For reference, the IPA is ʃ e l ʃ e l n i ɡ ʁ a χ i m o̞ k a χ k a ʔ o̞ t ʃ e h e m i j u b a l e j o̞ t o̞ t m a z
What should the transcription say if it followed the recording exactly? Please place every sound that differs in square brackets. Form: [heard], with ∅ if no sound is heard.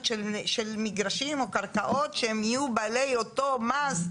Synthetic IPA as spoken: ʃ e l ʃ e l [m] i ɡ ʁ a [ʃ] i m o̞ k a [ʁ] k a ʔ o̞ t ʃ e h e m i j u b a l e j o̞ t o̞ [∅] m a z